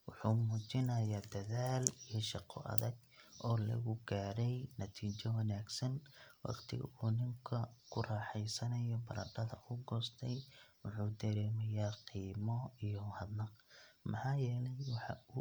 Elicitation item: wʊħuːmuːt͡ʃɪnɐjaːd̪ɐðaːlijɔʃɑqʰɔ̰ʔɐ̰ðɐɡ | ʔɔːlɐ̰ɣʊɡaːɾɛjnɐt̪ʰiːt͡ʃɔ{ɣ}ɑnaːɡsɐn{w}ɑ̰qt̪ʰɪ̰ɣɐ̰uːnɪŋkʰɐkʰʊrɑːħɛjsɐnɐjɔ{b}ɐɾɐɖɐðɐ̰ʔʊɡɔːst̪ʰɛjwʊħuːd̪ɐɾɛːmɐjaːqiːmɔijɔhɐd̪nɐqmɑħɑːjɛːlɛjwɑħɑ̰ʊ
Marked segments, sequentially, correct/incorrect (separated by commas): incorrect, correct, correct